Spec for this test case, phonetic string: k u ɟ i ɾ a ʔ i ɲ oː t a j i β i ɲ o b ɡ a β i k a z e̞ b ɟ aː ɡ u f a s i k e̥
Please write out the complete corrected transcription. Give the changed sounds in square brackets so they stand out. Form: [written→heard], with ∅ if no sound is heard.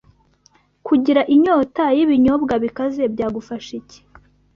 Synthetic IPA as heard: k u ɟ i ɾ a ʔ i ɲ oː t a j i β i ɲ o b ɡ a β i k a z e̞ b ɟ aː ɡ u f a [s→ʃ] i [k→c] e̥